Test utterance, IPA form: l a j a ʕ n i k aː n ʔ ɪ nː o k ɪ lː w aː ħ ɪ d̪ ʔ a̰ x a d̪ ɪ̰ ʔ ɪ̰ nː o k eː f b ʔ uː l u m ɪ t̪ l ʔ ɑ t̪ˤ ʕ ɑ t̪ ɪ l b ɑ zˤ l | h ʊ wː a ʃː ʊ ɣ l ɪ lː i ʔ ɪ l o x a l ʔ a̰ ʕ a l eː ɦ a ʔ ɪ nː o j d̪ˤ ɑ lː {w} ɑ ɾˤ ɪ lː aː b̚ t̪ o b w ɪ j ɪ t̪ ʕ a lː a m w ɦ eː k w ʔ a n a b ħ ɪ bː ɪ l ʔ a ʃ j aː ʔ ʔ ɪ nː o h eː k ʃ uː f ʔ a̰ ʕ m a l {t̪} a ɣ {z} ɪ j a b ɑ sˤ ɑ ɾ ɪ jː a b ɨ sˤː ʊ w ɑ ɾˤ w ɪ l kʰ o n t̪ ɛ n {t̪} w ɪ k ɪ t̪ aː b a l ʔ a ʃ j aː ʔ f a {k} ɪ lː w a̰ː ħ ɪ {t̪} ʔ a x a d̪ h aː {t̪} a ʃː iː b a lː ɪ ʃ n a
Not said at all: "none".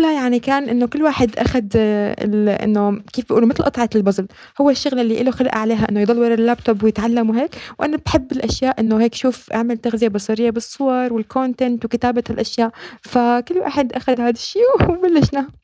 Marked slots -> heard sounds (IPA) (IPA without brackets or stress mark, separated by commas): w, t̪, z, t̪, k, d̪, d̪